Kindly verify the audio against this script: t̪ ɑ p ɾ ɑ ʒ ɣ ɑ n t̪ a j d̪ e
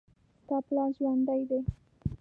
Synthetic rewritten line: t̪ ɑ p l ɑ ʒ w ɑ n d̪ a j d̪ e